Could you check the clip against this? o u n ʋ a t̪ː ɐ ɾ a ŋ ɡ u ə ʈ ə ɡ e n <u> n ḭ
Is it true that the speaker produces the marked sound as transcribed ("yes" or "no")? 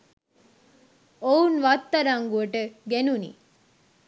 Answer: yes